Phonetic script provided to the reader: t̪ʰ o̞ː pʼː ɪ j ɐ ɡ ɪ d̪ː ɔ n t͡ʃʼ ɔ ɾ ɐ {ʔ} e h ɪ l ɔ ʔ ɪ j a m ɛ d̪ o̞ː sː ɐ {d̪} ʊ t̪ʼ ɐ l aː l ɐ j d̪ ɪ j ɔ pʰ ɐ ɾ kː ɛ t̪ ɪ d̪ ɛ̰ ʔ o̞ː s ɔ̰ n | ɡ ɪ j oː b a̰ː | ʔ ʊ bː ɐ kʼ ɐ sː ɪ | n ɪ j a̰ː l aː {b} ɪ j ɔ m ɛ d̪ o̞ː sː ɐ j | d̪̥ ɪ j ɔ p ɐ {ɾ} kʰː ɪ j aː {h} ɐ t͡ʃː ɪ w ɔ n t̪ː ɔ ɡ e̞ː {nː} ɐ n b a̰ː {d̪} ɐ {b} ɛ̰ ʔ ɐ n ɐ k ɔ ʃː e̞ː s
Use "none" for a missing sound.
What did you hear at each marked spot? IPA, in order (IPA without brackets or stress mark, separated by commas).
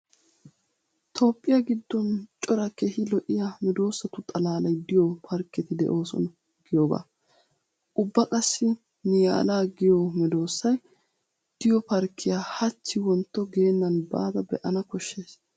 k, t̪, ɡ, ɾ, h, nː, d̪, b